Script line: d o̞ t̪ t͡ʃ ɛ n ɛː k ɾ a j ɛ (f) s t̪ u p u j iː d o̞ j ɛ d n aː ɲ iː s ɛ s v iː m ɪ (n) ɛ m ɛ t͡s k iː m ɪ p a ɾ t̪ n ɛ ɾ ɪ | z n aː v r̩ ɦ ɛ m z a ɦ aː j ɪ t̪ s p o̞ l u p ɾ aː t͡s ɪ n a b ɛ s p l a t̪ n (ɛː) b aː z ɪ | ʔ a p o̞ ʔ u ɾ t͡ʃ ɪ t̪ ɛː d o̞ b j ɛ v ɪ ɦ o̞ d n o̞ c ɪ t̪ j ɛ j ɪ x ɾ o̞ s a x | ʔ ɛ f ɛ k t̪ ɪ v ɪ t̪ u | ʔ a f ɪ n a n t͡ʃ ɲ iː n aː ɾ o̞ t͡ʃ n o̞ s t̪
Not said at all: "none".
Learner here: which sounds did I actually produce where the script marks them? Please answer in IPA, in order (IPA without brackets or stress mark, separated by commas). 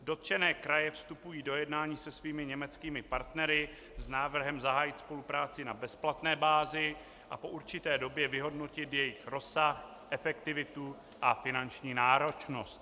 f, ɲ, ɛː